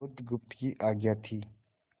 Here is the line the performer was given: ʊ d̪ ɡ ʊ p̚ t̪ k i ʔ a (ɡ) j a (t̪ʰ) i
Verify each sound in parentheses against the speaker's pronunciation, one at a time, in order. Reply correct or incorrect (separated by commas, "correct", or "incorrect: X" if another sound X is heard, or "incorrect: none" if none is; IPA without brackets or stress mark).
correct, correct